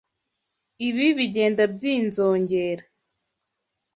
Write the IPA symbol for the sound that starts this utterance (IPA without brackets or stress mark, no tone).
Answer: i